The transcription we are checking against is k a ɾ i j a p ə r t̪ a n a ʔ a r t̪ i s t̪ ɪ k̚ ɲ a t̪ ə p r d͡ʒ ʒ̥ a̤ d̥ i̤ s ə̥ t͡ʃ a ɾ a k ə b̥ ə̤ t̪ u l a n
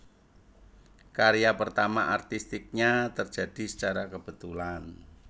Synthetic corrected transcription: k a ɾ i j a p ə r t̪ a m a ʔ a r t̪ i s t̪ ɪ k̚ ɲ a t̪ ə r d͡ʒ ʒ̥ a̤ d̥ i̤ s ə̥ t͡ʃ a ɾ a k ə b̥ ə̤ t̪ u l a n